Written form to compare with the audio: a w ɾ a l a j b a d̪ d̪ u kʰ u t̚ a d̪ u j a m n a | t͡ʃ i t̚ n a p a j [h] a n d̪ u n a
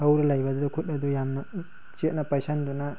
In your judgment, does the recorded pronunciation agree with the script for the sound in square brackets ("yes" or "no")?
no